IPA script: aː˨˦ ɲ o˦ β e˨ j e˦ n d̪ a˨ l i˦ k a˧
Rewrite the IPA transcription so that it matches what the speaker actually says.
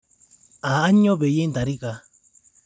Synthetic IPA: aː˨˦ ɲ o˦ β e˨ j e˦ n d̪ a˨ ɾ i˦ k a˧